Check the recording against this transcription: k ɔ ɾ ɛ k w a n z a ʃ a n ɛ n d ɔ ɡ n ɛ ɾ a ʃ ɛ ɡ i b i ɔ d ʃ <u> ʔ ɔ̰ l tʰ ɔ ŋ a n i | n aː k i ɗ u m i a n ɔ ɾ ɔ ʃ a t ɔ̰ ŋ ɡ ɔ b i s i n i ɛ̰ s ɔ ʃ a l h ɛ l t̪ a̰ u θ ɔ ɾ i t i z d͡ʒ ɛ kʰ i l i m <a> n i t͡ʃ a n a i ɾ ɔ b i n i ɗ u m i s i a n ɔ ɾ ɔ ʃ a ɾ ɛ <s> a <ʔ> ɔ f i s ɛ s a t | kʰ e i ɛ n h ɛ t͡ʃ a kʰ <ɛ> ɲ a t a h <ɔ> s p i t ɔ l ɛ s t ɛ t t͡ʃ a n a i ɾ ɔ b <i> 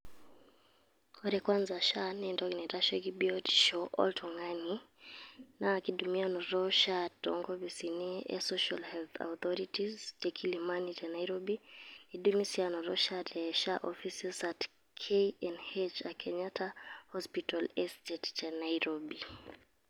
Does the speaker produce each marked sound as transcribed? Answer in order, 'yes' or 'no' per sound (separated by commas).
no, yes, no, yes, yes, yes, yes